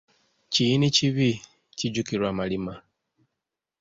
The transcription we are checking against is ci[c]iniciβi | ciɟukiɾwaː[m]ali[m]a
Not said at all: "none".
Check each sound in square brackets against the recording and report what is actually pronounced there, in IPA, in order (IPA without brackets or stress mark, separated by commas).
none, m, m